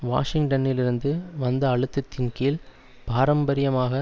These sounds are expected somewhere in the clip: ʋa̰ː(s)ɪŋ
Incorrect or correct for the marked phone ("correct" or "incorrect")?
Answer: incorrect